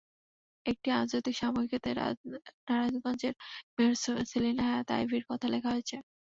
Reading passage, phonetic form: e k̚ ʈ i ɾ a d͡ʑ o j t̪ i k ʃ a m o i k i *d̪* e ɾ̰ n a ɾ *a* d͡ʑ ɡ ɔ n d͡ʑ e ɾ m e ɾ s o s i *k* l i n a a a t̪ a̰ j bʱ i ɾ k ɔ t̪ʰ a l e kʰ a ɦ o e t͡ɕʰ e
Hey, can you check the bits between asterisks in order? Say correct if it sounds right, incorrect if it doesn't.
incorrect: t̪, correct, incorrect: none

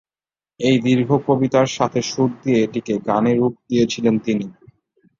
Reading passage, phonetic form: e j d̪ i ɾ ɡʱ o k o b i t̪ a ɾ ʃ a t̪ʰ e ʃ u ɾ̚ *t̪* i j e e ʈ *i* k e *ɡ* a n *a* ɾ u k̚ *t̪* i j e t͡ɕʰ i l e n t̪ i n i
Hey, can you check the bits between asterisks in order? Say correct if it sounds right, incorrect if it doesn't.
incorrect: d̪, correct, correct, incorrect: e, incorrect: d̪

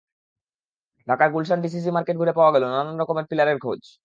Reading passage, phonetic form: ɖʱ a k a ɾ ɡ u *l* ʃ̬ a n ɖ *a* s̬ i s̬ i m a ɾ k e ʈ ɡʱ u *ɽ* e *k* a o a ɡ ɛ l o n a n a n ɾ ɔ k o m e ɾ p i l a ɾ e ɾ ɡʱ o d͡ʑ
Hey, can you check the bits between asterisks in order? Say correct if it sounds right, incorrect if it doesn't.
correct, incorrect: i, incorrect: ɾ, incorrect: p

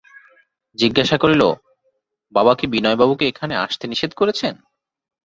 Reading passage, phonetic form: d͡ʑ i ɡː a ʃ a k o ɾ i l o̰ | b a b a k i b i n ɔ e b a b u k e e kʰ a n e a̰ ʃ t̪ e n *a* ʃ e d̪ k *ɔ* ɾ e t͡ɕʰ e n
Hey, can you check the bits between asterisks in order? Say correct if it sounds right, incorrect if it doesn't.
incorrect: i, incorrect: o

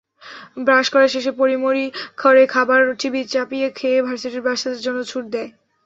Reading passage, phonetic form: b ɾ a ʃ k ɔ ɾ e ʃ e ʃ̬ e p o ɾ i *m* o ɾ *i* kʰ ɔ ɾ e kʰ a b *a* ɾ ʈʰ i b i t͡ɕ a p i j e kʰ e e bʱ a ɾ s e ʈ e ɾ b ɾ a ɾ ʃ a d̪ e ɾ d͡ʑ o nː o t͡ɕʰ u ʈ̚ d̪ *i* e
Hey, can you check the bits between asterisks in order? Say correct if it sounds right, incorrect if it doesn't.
correct, correct, correct, incorrect: ɛ

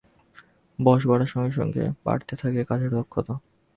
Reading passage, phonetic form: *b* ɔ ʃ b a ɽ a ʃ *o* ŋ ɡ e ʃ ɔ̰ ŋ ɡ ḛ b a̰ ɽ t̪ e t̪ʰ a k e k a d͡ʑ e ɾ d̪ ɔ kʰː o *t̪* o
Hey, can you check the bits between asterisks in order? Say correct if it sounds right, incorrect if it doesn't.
correct, incorrect: ɔ, correct

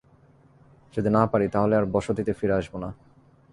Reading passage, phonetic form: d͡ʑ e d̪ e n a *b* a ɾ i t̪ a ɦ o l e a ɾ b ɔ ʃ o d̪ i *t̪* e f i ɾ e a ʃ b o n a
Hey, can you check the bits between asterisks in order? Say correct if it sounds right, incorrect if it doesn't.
incorrect: p, correct

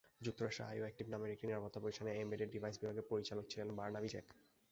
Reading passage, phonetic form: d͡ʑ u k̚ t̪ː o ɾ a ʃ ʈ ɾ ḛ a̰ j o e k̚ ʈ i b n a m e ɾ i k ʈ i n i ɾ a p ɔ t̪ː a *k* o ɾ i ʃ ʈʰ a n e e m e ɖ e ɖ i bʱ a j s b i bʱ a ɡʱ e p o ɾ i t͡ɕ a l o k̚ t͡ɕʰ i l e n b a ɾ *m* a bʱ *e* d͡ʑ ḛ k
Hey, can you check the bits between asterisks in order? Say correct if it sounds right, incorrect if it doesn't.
incorrect: p, incorrect: n, incorrect: i

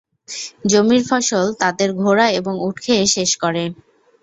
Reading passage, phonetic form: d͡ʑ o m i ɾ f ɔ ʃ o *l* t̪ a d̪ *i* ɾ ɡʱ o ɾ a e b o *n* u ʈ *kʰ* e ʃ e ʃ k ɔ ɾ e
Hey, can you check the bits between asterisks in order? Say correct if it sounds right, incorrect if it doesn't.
correct, incorrect: e, incorrect: ŋ, correct

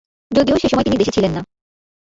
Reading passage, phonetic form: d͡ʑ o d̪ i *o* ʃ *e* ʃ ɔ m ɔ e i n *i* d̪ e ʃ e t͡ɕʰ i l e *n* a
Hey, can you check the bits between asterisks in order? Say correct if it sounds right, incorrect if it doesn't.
correct, correct, correct, incorrect: nː

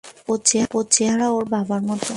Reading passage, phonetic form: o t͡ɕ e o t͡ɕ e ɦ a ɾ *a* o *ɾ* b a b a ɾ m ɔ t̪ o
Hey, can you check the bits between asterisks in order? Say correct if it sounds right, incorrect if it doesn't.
correct, correct

